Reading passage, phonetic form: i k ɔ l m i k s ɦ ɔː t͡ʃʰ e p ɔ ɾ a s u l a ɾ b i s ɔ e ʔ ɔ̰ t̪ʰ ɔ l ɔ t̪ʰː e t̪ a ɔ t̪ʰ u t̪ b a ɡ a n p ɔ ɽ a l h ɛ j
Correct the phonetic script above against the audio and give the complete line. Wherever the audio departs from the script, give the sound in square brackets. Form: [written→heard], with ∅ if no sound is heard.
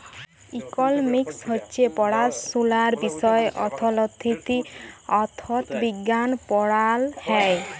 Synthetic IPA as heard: i k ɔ l m i k s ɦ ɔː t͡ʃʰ e p ɔ [ɾ→ɽ] a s u l a ɾ b i s ɔ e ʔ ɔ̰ t̪ʰ ɔ l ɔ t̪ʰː [e→i] t̪ [a→i] ɔ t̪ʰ [u→ɔ] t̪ b [a→i] ɡ a n p ɔ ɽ a l h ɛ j